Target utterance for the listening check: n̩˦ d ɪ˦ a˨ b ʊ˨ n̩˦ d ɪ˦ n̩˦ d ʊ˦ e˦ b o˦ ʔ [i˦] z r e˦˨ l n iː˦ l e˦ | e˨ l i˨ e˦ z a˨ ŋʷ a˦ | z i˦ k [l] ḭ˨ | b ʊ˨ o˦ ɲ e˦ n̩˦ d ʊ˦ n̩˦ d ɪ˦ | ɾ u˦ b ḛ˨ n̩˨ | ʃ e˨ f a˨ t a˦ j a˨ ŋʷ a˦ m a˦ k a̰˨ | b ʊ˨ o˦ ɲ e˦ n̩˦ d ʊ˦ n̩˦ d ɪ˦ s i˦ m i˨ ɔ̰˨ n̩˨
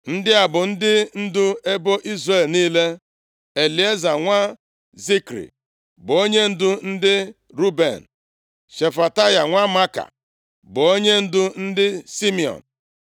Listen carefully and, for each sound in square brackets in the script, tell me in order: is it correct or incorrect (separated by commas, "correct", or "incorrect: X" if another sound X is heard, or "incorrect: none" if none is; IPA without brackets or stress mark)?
correct, incorrect: ɾ